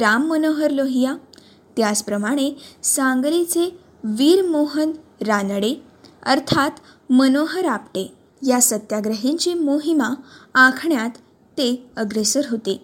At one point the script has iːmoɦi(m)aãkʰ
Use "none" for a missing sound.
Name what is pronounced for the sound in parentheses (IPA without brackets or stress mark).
m